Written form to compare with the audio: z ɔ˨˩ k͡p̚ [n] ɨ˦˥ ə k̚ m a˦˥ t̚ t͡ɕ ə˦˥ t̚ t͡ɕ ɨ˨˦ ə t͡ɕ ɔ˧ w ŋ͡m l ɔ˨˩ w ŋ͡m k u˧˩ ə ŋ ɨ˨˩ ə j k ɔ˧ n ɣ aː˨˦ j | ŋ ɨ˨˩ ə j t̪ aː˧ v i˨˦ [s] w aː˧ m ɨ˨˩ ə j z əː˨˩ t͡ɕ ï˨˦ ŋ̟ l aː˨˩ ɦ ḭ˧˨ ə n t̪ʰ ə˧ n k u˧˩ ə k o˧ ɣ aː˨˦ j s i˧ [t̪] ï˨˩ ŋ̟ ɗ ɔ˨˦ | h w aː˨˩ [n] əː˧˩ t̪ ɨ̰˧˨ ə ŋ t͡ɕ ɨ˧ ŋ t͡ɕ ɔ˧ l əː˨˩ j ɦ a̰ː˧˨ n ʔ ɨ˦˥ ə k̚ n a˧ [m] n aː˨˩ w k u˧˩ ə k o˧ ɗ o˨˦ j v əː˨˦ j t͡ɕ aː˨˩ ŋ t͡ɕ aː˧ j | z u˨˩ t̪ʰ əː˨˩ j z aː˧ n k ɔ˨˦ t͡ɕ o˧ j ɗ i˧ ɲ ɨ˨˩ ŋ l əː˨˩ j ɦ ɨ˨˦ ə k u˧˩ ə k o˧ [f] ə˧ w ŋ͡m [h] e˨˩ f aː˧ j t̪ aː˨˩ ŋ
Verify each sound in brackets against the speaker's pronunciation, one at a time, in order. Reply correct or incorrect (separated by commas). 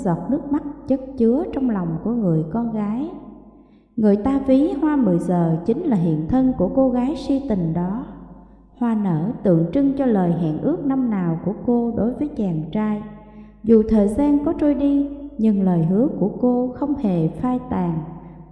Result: correct, incorrect, correct, correct, correct, incorrect, correct